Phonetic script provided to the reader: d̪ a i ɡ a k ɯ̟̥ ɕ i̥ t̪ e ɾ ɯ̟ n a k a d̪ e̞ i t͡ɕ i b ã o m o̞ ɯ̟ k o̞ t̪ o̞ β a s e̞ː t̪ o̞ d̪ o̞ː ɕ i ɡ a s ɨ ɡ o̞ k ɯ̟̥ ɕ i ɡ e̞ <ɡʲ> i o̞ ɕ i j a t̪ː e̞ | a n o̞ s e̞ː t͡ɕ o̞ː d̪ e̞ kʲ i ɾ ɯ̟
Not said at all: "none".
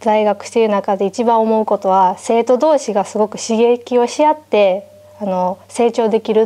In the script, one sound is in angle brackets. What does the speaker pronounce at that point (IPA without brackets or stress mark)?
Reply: kʲ